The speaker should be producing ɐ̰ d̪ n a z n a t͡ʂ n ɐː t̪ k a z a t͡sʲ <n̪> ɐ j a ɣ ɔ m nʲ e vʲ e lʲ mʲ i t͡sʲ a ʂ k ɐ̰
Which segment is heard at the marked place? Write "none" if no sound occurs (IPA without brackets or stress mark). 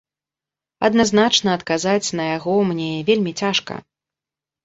n̪